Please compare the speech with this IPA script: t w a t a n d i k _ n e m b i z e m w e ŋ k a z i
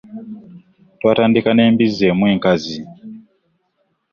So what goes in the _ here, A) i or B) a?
B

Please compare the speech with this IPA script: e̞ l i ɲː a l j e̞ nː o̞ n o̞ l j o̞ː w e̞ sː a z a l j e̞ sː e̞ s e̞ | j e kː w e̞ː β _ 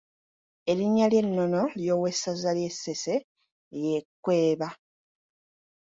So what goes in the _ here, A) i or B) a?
B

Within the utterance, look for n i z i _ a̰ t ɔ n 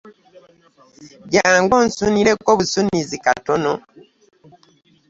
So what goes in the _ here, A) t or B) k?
B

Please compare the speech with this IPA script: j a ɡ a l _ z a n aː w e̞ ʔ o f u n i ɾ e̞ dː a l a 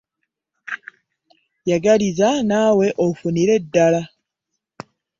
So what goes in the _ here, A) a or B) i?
B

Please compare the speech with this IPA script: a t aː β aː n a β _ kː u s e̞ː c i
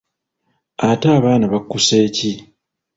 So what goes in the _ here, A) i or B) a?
B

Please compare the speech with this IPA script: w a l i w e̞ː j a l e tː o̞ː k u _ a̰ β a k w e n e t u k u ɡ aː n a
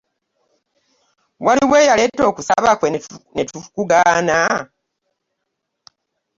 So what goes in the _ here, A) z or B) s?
B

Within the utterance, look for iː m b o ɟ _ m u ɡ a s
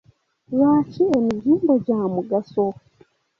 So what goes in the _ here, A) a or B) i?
A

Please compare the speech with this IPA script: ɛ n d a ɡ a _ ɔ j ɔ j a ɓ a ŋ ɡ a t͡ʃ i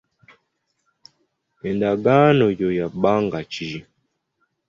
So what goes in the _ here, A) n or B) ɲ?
A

